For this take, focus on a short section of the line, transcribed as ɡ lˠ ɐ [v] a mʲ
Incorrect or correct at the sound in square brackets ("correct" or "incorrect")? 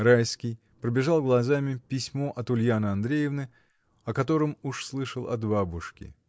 incorrect